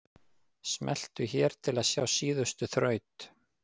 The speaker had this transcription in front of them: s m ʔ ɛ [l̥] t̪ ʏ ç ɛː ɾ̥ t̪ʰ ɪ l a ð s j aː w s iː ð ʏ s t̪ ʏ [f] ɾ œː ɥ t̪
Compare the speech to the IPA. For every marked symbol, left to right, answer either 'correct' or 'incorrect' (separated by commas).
correct, incorrect